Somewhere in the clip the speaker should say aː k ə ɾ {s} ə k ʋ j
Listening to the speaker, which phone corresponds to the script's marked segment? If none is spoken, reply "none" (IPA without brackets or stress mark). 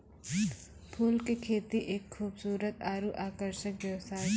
ʃ